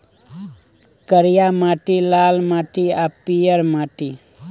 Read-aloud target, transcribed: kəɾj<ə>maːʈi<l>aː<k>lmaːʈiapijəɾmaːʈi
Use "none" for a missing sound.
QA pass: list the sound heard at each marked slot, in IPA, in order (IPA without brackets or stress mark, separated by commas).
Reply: a, l, none